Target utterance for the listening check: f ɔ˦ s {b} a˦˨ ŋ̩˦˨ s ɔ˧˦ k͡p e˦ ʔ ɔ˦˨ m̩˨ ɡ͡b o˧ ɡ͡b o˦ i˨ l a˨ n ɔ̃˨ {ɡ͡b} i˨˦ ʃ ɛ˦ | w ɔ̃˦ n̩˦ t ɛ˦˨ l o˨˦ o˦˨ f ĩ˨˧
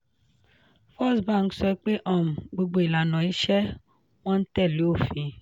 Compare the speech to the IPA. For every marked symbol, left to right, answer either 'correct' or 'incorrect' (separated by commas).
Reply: correct, incorrect